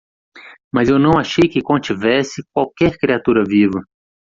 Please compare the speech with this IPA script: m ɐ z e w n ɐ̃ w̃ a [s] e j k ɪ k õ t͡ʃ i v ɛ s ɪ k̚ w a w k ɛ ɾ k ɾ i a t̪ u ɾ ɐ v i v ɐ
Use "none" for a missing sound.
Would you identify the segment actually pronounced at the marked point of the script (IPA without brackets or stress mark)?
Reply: ʃ